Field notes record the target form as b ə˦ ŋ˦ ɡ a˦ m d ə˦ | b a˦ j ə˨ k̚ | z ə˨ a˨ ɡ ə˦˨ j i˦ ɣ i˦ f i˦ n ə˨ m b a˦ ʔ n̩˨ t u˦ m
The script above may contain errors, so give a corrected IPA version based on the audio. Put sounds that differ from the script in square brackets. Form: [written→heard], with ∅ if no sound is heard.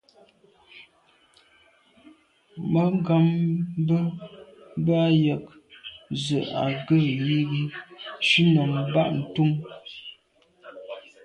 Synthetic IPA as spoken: [b→m] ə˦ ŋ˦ ɡ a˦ m [d→b] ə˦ | b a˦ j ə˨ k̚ | z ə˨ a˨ ɡ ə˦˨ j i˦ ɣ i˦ [f→ʃ] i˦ n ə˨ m b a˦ ʔ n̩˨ t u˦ m